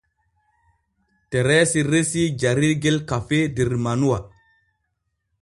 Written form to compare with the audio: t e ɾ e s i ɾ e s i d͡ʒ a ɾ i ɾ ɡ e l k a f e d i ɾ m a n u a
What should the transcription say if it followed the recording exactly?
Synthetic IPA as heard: t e ɾ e s i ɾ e s i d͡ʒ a ɾ i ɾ ɡ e l k a f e d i ɾ m a n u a